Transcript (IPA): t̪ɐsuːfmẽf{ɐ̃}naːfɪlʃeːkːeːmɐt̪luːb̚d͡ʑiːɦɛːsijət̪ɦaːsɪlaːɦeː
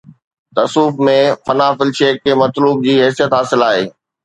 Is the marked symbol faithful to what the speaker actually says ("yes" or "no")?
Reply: no